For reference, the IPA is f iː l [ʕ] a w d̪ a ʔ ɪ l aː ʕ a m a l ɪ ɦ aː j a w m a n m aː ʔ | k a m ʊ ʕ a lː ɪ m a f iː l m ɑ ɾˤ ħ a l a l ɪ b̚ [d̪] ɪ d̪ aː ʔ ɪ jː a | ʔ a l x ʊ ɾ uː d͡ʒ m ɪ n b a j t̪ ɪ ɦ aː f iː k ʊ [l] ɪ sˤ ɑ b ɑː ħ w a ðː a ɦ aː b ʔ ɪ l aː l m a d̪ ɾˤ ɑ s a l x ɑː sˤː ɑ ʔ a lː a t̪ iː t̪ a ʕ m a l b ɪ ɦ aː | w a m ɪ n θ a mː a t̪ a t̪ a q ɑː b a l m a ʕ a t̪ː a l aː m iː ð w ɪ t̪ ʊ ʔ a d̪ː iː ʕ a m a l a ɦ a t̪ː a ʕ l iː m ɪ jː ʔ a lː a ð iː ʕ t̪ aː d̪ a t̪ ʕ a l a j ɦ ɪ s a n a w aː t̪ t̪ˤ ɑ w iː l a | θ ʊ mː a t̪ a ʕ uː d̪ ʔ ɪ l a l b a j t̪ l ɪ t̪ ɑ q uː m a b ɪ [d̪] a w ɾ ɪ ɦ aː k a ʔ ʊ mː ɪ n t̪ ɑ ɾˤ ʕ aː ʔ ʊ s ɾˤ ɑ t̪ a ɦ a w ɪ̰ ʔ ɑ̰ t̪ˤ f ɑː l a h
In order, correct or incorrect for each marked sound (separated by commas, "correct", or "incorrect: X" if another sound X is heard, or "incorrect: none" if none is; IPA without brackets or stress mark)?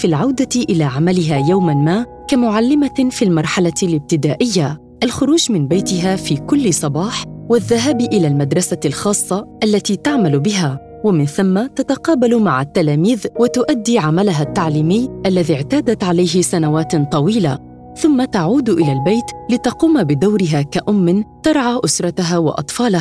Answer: correct, incorrect: t̪, incorrect: lː, correct